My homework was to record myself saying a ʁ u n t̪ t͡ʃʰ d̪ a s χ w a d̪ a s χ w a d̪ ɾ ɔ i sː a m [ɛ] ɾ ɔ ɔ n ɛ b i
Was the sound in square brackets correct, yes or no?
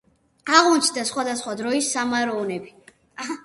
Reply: no